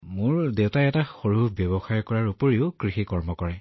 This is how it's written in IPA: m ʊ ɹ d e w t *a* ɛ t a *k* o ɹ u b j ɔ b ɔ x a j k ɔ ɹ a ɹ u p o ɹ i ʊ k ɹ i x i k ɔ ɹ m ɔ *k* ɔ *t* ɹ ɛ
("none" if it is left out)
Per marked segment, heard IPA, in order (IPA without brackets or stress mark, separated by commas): a, x, k, none